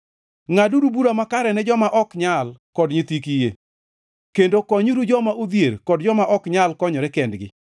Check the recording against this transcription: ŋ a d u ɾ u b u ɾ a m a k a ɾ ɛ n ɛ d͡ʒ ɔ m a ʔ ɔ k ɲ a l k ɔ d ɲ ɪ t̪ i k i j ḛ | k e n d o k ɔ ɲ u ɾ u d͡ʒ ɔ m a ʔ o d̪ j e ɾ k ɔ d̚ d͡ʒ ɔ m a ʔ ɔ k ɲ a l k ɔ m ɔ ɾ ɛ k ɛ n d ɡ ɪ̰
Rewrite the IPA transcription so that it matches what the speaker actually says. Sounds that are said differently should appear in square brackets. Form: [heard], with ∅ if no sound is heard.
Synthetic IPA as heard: ŋ a d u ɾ u b u ɾ a m a k a ɾ ɛ n ɛ d͡ʒ ɔ m a ʔ ɔ k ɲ a l k ɔ d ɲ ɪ t̪ i k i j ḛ | k e n d o k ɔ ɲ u ɾ u d͡ʒ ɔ m a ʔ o d̪ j e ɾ k ɔ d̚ d͡ʒ ɔ m a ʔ ɔ k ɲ a l k ɔ [ɲ] ɔ ɾ ɛ k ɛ n d ɡ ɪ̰